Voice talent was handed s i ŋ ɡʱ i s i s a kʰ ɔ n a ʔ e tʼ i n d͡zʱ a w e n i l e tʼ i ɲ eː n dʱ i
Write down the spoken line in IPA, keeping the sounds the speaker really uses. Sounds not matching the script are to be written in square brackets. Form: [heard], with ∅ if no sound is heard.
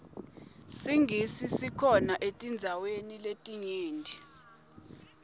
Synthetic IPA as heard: s i ŋ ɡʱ i s i s [i] kʰ ɔ n a ʔ e tʼ i n d͡zʱ a w e n i l e tʼ i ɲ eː n dʱ i